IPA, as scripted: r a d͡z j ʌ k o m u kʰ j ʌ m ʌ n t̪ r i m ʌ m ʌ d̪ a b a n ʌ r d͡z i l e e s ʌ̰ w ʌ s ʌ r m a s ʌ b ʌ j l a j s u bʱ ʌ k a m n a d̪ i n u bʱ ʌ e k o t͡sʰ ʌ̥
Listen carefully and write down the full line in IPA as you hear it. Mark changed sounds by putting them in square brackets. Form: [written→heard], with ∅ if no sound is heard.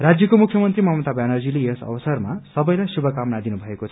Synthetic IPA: r a d͡z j ʌ k o m u kʰ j ʌ m ʌ n t̪ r i m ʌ m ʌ [d̪→t̪] a b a n ʌ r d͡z i l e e s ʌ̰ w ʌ s ʌ r m a s ʌ b ʌ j l a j s u bʱ ʌ k a m n a d̪ i n u bʱ ʌ e k o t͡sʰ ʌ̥

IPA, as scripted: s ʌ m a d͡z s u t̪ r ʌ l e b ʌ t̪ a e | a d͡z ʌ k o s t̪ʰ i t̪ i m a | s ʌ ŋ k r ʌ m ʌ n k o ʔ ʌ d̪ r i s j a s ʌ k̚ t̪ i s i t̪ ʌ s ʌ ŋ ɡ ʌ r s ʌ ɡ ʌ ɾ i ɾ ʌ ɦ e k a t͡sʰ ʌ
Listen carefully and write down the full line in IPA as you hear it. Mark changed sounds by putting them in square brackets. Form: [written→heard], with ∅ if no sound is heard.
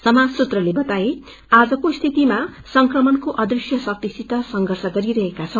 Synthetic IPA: s ʌ m a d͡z s u t̪ r ʌ l e b ʌ t̪ a e | a d͡z ʌ k o s t̪ʰ i t̪ i m a | s ʌ ŋ k r ʌ m ʌ n k o ʔ ʌ d̪ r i s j [a→ʌ] s ʌ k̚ t̪ i s i t̪ ʌ s ʌ ŋ ɡ ʌ r s ʌ ɡ ʌ ɾ i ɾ ʌ ɦ e k a t͡sʰ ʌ

